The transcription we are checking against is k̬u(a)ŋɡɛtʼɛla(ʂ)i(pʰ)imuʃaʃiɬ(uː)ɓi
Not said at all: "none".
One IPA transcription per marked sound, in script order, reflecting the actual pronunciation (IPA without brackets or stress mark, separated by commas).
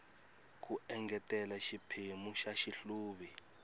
ɛ, ʃ, pʰ, uː